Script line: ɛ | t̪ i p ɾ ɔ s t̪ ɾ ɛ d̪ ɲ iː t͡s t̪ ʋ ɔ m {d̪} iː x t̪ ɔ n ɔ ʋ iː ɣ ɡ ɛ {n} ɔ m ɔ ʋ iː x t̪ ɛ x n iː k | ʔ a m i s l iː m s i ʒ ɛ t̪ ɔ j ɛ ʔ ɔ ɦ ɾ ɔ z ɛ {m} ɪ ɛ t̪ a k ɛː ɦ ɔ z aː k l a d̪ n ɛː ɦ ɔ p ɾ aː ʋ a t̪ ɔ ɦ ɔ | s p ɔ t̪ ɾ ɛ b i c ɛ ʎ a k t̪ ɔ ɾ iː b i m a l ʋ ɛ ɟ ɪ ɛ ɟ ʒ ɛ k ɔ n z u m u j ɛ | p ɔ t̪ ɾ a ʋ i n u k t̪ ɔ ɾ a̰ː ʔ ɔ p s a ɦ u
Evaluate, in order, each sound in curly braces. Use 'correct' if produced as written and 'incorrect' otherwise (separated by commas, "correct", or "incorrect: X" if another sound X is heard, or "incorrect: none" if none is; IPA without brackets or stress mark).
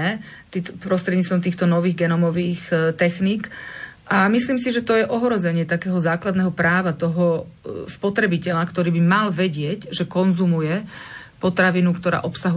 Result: incorrect: t̪, correct, incorrect: ɲ